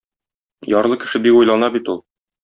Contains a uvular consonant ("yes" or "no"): no